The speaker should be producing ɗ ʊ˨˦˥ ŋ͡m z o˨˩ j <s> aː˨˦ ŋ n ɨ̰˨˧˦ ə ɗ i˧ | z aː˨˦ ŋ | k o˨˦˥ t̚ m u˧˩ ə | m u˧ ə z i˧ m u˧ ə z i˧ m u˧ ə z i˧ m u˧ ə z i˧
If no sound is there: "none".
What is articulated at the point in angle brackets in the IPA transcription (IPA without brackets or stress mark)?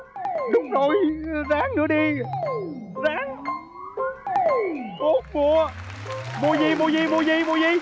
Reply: z